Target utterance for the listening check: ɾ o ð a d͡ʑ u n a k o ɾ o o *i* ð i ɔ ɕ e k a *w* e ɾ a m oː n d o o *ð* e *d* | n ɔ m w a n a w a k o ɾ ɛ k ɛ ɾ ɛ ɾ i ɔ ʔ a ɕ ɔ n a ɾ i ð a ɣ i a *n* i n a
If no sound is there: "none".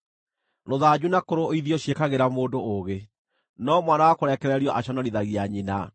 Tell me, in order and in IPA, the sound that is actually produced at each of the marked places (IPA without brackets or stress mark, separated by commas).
i, ɣ, ɣ, none, ɲ